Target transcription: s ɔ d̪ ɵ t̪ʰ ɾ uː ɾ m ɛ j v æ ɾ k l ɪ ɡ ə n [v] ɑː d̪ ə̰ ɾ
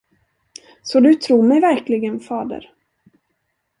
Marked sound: incorrect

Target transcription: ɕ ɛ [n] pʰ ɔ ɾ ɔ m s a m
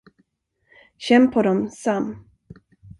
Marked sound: incorrect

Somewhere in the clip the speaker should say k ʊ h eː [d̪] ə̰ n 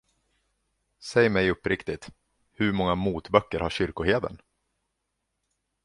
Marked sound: correct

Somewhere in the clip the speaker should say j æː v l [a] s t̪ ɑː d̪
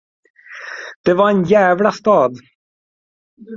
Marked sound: correct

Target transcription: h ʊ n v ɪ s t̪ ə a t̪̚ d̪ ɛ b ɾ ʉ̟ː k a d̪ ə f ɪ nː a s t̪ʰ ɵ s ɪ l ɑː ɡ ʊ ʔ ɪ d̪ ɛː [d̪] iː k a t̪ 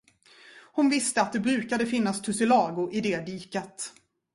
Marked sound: correct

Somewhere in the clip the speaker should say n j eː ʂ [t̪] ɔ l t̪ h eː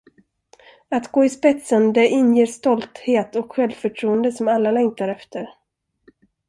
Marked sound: correct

